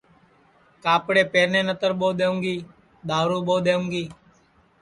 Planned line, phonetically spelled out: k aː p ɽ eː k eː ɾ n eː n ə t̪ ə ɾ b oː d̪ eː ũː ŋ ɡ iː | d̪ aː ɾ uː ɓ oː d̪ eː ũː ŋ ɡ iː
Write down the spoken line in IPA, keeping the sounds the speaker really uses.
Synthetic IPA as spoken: k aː p ɽ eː p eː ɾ n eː n ə t̪ ə ɾ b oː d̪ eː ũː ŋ ɡ iː | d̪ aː ɾ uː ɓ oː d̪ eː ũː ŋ ɡ iː